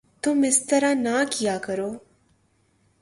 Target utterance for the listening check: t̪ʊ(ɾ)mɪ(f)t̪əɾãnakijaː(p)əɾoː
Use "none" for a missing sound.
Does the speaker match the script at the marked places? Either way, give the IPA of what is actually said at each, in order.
none, s, k

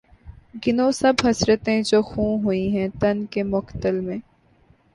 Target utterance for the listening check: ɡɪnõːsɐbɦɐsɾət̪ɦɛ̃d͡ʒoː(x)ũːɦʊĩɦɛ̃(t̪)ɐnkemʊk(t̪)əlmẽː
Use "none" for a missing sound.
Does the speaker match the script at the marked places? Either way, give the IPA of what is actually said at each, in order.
x, t̪, t̪

